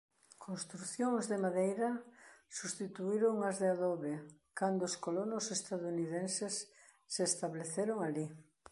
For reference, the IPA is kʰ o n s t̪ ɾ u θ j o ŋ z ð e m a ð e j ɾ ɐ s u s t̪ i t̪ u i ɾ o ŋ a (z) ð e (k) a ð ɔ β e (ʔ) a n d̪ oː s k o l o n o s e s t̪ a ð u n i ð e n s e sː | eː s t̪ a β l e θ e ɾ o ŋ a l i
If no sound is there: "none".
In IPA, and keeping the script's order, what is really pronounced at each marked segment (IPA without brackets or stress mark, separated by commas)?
z, none, k